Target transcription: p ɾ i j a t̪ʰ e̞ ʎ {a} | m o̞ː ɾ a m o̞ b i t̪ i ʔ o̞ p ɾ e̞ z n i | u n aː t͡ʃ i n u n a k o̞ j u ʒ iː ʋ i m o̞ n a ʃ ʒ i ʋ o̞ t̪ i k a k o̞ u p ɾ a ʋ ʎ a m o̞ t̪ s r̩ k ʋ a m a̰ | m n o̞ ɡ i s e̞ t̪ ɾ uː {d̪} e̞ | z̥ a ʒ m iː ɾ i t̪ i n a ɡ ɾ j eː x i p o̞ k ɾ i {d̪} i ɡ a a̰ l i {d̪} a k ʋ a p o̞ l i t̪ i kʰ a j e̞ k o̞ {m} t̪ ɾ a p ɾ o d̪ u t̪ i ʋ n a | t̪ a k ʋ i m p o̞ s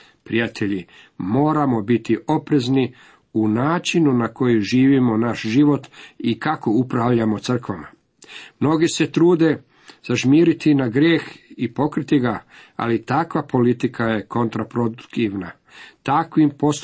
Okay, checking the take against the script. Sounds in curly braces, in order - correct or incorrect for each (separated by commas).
incorrect, correct, incorrect, incorrect, incorrect